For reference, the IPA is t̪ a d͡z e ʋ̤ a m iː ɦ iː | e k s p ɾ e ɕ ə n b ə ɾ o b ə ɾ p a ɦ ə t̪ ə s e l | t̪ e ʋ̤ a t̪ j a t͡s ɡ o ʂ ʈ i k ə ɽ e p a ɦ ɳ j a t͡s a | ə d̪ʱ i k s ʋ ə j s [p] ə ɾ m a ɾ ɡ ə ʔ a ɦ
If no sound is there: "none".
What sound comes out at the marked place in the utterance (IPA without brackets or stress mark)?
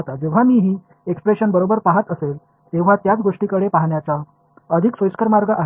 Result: k